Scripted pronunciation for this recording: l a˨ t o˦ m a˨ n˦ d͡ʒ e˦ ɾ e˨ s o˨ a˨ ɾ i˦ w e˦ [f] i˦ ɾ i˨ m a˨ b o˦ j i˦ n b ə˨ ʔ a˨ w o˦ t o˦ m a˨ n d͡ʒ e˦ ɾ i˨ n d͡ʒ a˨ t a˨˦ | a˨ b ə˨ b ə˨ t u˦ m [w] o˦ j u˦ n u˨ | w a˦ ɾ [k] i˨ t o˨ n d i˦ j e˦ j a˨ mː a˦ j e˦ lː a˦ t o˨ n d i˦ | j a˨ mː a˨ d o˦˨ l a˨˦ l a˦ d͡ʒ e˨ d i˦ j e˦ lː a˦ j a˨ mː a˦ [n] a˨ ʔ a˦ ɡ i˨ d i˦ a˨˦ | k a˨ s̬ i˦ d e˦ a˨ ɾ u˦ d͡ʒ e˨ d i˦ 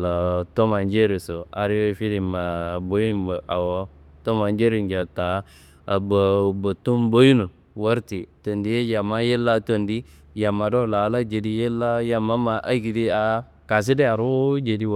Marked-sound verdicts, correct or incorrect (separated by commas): correct, incorrect, incorrect, incorrect